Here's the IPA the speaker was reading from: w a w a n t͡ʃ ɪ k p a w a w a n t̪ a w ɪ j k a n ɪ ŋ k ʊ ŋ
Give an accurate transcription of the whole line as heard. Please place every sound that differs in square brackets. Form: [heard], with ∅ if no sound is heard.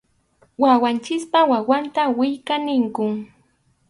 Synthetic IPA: w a w a n t͡ʃ ɪ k p a w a w a n t̪ a w ɪ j k a n ɪ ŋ k ʊ ŋ